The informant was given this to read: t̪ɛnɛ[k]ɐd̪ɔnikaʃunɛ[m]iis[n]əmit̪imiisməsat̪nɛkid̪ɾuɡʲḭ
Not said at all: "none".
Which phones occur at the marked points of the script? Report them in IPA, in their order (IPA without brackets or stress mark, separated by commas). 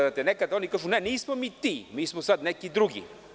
k, n, m